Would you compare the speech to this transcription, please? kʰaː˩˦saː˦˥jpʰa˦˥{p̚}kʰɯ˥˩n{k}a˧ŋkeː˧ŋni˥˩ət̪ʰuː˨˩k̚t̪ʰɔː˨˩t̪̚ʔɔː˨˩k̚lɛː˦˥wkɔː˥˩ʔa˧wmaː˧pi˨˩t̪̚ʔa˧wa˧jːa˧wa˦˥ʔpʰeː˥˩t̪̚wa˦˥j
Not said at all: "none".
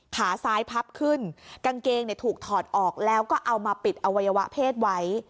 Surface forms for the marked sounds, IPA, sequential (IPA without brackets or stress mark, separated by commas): p̚, k